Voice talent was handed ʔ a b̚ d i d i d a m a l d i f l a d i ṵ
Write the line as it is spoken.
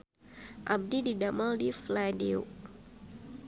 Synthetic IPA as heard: ʔ a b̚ d i d i d a m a l d i f l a d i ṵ